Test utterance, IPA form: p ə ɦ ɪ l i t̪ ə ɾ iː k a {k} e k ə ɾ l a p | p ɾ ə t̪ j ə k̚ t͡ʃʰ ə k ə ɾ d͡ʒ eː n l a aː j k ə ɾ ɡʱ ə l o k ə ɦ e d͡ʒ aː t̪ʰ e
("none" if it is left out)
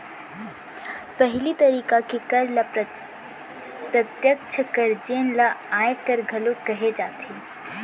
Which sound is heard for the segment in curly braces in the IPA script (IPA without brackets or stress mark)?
k